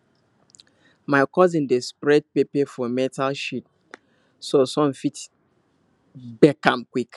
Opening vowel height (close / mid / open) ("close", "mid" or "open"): open